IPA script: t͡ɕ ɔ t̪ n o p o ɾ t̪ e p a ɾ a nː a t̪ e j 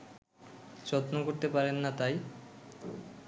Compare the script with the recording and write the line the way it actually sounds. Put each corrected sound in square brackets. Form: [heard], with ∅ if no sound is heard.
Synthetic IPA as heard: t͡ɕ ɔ t̪ n o [k] o ɾ t̪ e p a ɾ [e] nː a t̪ [a] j

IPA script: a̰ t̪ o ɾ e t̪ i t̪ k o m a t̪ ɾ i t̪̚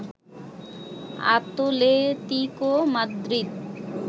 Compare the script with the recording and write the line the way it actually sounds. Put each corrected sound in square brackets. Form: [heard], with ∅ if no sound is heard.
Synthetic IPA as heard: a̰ t̪ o [l] e t̪ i [∅] k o m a [d̪] ɾ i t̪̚

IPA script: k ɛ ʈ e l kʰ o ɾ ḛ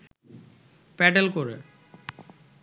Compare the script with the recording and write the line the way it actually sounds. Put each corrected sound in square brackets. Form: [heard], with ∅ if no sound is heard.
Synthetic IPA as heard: [p] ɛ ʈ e l [k] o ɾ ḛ

